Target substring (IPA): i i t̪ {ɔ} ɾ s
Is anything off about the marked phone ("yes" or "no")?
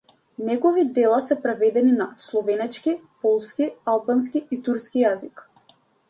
yes